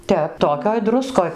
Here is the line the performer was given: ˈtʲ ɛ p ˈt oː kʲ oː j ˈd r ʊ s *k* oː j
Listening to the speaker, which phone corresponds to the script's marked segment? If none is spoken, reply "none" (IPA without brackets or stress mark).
k